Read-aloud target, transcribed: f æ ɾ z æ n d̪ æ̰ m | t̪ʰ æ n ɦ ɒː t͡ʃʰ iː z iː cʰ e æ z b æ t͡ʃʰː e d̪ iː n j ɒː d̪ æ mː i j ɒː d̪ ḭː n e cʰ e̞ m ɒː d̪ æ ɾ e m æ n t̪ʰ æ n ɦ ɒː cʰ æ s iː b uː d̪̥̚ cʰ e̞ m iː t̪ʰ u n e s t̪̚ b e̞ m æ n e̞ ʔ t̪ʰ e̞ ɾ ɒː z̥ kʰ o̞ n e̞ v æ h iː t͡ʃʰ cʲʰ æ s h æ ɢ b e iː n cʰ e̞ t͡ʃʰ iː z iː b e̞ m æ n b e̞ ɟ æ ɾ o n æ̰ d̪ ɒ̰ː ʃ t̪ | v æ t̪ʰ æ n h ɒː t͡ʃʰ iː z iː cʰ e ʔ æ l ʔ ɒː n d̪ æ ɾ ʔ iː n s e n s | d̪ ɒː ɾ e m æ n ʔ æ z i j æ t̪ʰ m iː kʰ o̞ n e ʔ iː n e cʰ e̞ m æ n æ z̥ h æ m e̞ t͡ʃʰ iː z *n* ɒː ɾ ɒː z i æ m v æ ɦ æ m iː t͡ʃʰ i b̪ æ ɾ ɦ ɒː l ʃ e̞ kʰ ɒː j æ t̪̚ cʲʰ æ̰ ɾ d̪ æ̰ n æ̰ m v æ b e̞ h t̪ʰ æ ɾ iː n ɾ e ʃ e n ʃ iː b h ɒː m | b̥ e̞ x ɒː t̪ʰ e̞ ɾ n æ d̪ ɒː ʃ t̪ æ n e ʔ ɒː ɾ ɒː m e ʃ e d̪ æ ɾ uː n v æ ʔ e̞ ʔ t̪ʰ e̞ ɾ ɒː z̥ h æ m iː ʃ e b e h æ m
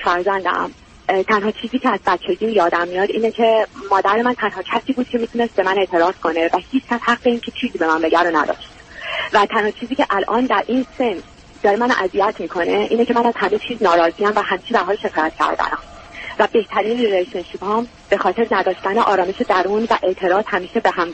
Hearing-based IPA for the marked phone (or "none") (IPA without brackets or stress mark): n